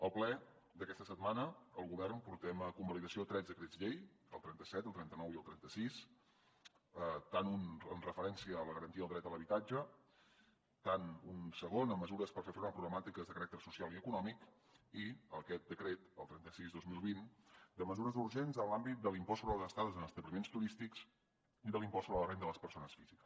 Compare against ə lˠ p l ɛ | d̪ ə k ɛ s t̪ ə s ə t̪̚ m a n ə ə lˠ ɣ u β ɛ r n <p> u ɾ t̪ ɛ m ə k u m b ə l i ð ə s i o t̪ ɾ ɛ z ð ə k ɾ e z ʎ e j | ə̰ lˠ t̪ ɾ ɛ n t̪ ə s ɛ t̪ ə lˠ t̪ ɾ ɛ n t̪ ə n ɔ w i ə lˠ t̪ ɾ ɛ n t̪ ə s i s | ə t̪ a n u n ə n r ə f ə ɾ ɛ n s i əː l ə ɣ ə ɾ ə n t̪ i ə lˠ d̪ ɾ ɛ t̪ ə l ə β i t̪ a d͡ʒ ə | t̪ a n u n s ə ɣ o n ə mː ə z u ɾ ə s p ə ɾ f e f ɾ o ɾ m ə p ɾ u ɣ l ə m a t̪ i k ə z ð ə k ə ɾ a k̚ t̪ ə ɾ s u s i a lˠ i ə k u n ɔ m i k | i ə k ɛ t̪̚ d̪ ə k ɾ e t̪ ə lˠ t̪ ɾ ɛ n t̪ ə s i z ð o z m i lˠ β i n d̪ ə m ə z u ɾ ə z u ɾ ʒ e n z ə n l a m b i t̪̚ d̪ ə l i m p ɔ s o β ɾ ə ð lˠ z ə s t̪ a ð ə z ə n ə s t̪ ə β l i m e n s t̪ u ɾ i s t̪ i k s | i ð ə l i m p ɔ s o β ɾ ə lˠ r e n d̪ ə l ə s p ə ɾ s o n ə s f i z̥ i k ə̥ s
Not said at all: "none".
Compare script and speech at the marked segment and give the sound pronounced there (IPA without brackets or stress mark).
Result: p